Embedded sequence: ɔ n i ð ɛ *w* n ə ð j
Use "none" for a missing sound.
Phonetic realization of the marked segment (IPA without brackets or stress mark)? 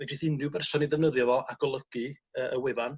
v